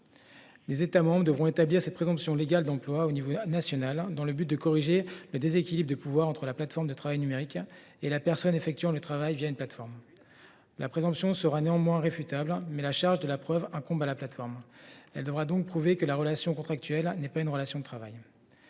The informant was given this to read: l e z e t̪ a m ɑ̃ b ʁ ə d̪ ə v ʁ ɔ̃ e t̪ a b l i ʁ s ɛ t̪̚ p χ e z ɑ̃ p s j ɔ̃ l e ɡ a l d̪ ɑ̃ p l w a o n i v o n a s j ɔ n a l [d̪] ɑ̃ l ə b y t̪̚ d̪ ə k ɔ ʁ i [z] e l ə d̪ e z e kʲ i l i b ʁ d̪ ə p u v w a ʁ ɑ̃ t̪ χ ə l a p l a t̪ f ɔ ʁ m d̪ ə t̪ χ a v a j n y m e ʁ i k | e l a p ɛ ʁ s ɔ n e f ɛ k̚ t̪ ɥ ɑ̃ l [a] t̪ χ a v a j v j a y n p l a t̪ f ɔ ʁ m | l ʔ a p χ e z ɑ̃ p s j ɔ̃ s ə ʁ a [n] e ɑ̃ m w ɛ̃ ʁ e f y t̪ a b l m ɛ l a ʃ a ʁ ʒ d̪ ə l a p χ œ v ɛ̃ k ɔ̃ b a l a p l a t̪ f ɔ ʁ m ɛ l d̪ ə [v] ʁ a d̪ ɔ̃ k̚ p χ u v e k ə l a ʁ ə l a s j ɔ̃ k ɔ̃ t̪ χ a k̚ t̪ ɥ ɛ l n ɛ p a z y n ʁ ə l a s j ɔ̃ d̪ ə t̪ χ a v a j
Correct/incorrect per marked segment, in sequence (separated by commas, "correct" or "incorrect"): correct, incorrect, incorrect, correct, correct